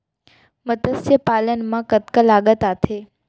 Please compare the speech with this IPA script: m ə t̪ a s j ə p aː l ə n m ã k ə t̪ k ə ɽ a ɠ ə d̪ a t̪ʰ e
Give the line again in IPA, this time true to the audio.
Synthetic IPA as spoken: m ə t̪ ə s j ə p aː l ə n m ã k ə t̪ k ə l a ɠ ə t̪ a t̪ʰ e